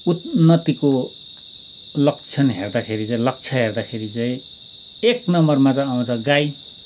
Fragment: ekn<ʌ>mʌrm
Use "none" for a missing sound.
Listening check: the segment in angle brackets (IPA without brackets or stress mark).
ʌ